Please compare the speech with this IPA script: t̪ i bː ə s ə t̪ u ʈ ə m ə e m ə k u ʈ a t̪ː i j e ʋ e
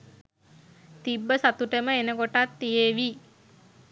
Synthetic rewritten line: t̪ i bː ə s a t̪ u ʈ ə m ə e n ə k o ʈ a t̪ː i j e ʋ i

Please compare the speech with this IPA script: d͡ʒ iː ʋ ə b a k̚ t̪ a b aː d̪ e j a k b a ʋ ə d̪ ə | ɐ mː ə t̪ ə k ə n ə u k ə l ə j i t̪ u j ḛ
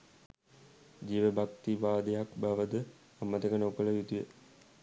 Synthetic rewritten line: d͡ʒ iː ʋ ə b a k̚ t̪ i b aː d̪ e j a k b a ʋ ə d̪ ə | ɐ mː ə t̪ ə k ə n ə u k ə l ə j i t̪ u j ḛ

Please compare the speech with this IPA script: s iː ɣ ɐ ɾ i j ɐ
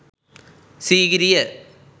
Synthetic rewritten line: s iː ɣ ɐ ɾ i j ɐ

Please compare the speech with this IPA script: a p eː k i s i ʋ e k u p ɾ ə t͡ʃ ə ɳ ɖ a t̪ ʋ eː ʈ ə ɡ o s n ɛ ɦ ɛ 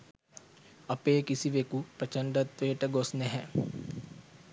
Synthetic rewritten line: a p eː k i s i ʋ e k u p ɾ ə t͡ʃ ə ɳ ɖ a t̪ ʋ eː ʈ ə ɡ o s n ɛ ɦ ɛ

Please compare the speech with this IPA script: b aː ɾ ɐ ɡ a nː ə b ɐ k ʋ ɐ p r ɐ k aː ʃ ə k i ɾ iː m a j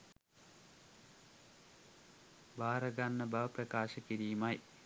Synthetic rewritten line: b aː ɾ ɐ ɡ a nː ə b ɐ ʋ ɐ p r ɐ k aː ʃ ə k i ɾ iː m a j

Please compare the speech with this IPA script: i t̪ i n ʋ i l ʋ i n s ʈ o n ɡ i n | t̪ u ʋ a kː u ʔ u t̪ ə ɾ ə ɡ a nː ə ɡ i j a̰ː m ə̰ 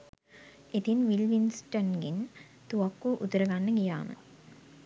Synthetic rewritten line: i t̪ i n ʋ i l ʋ i n s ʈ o n ɡ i n | t̪ u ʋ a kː u ʔ u t̪ ə ɾ ə ɡ a nː ə ɡ i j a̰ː m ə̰

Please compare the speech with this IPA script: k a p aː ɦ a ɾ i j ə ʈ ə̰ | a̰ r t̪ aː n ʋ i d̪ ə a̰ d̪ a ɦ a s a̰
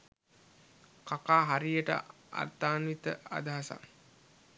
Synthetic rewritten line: k a k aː ɦ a ɾ i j ə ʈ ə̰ | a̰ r t̪ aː n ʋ i t̪ ə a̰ d̪ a ɦ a s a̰

